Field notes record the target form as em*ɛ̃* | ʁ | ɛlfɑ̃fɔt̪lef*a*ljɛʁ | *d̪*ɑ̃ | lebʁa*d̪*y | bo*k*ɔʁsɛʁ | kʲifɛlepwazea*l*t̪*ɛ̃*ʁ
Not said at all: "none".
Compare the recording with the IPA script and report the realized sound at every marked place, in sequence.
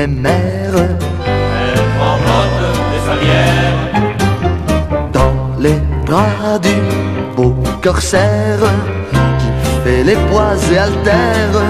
ɛ, a, d̪, d̪, k, l, ɛ

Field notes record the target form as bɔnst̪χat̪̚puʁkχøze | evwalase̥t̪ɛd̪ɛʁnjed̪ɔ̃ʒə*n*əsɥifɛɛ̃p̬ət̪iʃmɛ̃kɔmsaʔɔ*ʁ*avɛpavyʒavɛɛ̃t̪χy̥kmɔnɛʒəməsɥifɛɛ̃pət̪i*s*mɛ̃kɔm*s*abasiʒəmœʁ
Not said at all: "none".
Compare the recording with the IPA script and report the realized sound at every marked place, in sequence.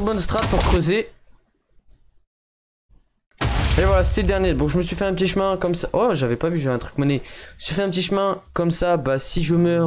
m, ʒ, ʃ, s

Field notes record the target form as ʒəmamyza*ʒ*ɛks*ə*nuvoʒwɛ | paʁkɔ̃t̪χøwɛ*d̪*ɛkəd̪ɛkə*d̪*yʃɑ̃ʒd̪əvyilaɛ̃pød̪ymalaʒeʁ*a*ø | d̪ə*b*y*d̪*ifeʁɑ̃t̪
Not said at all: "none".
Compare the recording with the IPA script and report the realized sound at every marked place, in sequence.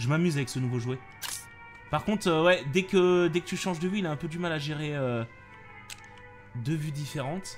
v, ə, d̪, t̪, e, v, d̪

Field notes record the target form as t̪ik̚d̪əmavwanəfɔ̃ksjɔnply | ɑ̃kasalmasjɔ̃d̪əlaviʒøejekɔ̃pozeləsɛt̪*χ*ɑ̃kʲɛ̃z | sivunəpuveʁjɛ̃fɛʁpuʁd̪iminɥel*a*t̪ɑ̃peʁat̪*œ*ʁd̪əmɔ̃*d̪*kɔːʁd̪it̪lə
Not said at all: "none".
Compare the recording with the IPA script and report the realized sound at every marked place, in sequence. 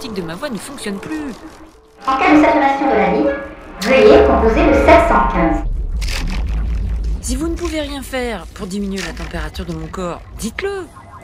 s, a, y, none

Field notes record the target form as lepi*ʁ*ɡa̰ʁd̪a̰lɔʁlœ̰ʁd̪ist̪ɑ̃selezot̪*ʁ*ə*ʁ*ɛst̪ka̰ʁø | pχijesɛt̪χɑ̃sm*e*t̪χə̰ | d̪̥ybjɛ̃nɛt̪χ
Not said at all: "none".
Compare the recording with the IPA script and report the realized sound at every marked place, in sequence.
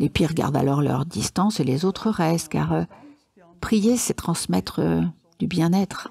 ʁ, χ, ʁ, ɛ

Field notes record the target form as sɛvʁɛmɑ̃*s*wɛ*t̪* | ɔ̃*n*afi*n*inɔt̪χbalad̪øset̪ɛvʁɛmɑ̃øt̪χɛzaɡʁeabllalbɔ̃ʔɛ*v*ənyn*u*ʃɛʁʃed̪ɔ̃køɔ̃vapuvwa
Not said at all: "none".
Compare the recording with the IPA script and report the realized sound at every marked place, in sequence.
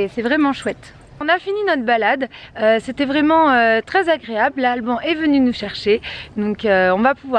ʃ, t̪, n, n, v, u

